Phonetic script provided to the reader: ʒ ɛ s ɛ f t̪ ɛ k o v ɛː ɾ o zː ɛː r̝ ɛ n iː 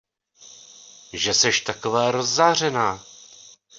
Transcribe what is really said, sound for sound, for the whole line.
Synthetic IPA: ʒ ɛ s ɛ ʃ t̪ a k o v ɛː ɾ o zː aː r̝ ɛ n aː